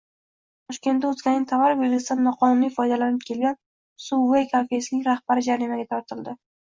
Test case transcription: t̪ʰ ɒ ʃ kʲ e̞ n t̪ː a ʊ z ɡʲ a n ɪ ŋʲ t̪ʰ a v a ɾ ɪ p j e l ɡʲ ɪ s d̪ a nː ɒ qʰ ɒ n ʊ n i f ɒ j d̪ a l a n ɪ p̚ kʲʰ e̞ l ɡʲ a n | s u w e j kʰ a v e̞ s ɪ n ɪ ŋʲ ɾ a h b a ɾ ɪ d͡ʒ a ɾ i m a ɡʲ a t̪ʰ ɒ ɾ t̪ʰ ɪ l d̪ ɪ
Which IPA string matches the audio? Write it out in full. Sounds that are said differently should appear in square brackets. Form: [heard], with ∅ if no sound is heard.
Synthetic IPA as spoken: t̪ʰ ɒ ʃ kʲ e̞ n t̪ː a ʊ z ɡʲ a n ɪ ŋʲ t̪ʰ a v a ɾ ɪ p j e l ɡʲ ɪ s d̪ a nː ɒ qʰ ɒ n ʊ n i f ɒ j d̪ a l a n ɪ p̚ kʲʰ e̞ l ɡʲ a n | s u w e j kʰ a [f] e̞ s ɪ n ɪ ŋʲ ɾ a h b a ɾ ɪ d͡ʒ a ɾ i m a ɡʲ a t̪ʰ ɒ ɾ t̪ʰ ɪ l d̪ ɪ